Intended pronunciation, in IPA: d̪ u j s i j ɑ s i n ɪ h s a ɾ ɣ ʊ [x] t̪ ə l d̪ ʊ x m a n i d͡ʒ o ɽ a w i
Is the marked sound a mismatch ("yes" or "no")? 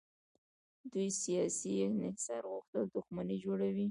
no